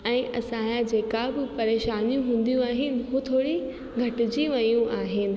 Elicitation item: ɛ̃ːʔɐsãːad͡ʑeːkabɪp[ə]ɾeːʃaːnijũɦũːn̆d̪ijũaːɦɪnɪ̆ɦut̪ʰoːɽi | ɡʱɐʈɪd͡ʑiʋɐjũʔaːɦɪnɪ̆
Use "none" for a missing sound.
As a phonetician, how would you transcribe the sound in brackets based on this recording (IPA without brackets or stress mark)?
ɐ